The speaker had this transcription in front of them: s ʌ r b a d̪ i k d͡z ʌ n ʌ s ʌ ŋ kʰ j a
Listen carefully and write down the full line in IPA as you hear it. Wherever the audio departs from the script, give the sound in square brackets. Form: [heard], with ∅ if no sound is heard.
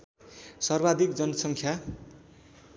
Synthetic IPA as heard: s ʌ r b a d̪ i k d͡z ʌ n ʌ s ʌ ŋ kʰ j a